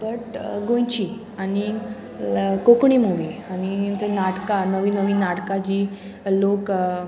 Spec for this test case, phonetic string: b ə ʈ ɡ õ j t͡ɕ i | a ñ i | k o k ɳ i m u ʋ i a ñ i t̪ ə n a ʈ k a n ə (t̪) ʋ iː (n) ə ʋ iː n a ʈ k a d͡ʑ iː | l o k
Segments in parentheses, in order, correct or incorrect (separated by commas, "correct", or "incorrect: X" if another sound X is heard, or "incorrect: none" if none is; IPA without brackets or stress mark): incorrect: none, correct